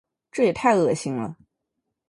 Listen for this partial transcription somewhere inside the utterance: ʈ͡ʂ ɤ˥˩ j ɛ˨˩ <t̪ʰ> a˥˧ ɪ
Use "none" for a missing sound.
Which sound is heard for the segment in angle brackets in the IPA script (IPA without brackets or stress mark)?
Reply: t̪ʰ